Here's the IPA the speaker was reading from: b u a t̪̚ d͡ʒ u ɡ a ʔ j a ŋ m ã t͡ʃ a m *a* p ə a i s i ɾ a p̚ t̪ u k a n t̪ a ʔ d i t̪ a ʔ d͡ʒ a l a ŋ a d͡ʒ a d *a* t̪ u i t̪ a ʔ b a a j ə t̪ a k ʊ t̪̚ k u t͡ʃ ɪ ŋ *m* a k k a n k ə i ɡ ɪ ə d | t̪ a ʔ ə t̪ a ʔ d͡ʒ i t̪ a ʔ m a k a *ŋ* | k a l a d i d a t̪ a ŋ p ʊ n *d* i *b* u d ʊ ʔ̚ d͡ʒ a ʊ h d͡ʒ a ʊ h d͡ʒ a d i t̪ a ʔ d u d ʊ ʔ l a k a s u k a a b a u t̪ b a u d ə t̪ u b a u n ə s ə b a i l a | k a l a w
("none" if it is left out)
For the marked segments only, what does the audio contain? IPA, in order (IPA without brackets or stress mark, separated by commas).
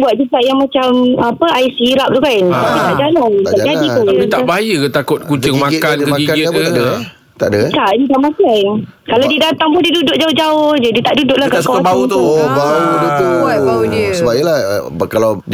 a, i, m, n, d, d